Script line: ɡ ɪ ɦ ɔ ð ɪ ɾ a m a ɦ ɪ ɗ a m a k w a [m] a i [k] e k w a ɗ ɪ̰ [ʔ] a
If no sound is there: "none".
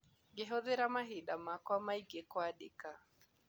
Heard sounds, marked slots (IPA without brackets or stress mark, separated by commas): m, ɡ, k